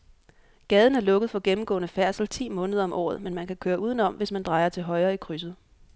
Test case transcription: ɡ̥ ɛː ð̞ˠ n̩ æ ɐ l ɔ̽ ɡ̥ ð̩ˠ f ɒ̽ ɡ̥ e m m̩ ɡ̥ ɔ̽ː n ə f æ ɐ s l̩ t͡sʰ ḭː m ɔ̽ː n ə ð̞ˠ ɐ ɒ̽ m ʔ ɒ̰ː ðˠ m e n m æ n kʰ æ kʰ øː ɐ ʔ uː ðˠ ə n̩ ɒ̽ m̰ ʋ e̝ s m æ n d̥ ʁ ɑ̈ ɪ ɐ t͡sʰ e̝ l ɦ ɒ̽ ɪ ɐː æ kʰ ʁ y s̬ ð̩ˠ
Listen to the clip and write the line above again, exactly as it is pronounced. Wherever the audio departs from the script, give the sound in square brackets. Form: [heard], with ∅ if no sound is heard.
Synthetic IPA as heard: ɡ̥ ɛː ð̞ˠ n̩ æ ɐ l ɔ̽ ɡ̥ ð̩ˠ f ɒ̽ ɡ̥ e m m̩ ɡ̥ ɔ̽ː n ə f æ ɐ s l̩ t͡sʰ ḭː m ɔ̽ː n ə ð̞ˠ ɐ ɒ̽ m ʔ ɒ̰ː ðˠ m e n m æ n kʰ æ kʰ øː ɐ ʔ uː ðˠ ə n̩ ɒ̽ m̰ ʋ e̝ s m æ n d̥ ʁ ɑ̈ ɪ ɐ t͡sʰ e̝ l ɦ ɒ̽ ɪ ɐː [i] kʰ ʁ y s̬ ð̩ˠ